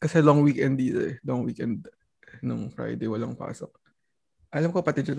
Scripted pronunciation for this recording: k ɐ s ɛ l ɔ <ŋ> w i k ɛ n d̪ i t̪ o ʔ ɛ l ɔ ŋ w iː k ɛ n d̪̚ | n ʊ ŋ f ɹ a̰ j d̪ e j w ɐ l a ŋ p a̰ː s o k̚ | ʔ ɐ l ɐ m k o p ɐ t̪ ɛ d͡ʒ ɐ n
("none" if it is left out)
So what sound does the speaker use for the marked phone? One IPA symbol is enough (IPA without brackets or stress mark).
ŋ